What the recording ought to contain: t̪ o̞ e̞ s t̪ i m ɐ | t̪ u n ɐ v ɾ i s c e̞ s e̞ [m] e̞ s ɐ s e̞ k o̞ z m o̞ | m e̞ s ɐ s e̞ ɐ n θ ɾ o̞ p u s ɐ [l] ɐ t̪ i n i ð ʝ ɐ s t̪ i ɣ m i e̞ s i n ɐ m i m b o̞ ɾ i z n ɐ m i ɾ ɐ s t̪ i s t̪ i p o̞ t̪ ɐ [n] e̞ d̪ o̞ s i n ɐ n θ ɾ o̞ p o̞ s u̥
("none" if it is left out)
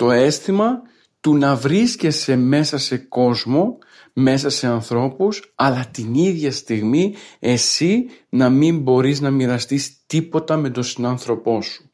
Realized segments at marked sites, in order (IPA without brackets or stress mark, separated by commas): m, l, m